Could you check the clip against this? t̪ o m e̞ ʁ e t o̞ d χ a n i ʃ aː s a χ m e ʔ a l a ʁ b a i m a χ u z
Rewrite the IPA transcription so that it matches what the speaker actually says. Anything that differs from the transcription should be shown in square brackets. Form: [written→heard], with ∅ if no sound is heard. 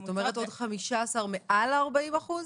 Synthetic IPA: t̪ o m e̞ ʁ e t o̞ d χ a [n→m] i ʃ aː s a [χ→ʁ] m e ʔ a l a ʁ b a i m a χ u z